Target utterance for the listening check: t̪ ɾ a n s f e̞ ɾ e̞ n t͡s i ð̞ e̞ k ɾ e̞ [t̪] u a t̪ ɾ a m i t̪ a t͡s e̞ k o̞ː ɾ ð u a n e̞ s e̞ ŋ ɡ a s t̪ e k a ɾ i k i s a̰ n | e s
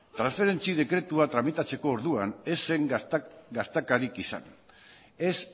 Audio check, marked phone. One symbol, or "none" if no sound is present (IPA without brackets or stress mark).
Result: t̪